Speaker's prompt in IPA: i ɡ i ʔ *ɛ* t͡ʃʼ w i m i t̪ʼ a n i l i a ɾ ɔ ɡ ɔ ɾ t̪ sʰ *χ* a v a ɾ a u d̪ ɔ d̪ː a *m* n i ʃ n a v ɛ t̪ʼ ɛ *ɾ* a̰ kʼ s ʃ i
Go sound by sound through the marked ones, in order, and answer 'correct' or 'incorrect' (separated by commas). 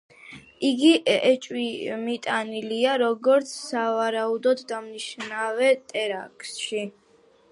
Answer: correct, incorrect, correct, correct